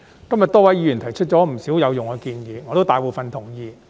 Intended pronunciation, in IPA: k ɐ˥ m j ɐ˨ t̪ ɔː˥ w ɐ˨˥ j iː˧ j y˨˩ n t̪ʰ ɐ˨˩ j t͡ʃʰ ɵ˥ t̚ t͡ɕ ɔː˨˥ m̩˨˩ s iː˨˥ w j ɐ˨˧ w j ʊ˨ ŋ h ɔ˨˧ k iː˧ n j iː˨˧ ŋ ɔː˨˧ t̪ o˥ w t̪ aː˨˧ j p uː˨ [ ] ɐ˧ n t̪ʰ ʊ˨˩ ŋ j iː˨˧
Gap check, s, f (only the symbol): f